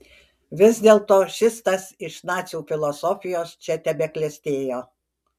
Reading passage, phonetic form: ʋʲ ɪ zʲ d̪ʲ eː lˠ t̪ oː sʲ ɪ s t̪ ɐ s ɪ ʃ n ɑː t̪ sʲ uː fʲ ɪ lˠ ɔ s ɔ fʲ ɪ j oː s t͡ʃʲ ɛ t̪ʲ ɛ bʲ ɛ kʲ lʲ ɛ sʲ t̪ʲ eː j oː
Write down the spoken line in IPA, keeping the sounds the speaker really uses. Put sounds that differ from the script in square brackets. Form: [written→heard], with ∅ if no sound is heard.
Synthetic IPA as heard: ʋʲ ɪ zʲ d̪ʲ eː lˠ t̪ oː [sʲ→ʃʲ] ɪ s t̪ ɐ s ɪ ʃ n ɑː t̪ sʲ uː fʲ ɪ lˠ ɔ s ɔ fʲ ɪ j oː s t͡ʃʲ ɛ t̪ʲ ɛ bʲ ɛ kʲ lʲ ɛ sʲ t̪ʲ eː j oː